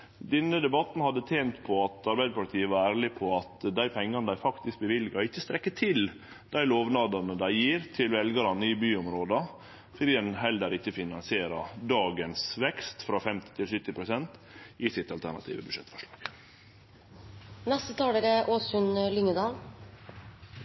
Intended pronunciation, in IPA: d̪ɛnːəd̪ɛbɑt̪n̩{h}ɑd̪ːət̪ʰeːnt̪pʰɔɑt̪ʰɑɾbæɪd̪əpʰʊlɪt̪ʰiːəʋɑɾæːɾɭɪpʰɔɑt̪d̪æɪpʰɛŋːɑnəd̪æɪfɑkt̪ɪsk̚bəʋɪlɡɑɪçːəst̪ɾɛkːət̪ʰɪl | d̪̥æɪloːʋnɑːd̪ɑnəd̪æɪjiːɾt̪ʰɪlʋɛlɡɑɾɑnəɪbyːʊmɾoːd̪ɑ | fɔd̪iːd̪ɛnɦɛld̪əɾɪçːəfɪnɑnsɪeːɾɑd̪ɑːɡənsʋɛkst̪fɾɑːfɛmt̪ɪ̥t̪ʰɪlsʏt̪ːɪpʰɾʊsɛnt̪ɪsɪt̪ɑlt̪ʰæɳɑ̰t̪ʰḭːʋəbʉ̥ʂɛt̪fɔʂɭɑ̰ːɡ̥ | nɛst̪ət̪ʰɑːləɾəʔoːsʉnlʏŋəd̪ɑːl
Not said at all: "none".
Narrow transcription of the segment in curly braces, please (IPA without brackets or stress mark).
h